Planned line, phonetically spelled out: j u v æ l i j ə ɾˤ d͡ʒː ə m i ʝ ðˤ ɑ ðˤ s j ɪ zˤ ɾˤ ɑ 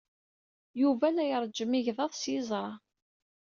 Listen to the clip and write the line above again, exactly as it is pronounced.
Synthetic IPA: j u v æ l æ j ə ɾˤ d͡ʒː ə m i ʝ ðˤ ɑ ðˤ s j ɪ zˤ ɾˤ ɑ